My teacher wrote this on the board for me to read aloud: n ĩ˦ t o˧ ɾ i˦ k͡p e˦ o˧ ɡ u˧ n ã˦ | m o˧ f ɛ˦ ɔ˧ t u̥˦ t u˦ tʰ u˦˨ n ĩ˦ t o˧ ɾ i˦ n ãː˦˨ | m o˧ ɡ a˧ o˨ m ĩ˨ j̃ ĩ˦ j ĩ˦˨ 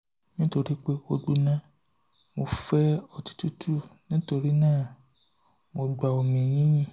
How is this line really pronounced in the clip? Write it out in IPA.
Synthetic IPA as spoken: n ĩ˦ t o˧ ɾ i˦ k͡p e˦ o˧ ɡ͡b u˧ n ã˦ | m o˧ f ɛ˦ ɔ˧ t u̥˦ t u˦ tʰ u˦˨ n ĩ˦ t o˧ ɾ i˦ n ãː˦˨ | m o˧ ɡ͡b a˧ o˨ m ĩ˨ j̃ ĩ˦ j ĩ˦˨